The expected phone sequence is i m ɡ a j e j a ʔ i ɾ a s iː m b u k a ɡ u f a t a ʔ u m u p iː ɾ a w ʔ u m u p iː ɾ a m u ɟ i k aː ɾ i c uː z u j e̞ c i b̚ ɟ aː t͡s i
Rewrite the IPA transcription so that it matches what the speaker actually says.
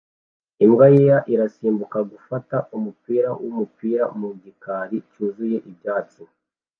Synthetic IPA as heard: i m ɡ a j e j a ʔ i ɾ a s iː m b u k a ɡ u f a t a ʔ u m u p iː ɾ a w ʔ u m u p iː ɾ a m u ɟ i k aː ɾ i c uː z u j e̞ ʔ i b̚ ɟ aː t͡s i